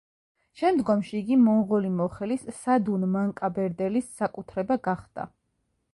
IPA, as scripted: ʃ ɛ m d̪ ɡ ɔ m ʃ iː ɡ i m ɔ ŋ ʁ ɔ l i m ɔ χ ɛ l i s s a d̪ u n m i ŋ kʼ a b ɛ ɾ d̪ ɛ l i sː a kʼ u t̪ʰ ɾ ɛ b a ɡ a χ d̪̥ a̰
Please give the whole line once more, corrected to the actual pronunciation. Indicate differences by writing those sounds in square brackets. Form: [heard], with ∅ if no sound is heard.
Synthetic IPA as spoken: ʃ ɛ m d̪ ɡ ɔ m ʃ iː ɡ i m ɔ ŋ ʁ ɔ l i m ɔ χ ɛ l i s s a d̪ u n m [a] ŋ kʼ a b ɛ ɾ d̪ ɛ l i sː a kʼ u t̪ʰ ɾ ɛ b a ɡ a χ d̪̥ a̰